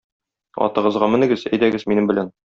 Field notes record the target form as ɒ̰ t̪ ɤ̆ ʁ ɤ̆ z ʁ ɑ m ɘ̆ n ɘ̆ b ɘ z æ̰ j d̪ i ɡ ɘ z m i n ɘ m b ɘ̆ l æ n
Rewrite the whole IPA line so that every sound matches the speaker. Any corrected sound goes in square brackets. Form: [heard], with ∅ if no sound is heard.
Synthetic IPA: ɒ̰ t̪ ɤ̆ ʁ ɤ̆ z ʁ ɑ m ɘ̆ n ɘ̆ [ɡ] ɘ z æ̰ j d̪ [æ] ɡ ɘ z m i n ɘ m b ɘ̆ l æ n